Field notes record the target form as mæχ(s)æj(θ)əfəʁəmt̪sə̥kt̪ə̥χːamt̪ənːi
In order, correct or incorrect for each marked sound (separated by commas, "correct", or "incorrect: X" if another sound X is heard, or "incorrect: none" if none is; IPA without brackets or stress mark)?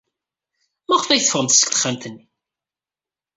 incorrect: f, correct